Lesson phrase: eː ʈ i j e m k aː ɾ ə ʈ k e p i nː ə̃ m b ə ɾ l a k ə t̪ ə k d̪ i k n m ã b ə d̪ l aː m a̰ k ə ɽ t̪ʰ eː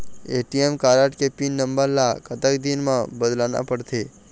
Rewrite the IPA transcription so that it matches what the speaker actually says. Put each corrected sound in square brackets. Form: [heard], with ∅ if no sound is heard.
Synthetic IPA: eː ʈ i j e m k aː ɾ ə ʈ k e p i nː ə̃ m b ə ɾ l a k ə t̪ ə k d̪ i [∅] n m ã b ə d̪ l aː [n] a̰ [p] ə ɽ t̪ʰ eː